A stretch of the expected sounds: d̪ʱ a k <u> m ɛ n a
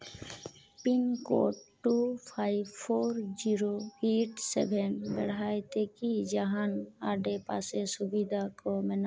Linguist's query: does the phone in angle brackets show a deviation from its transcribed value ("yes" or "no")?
yes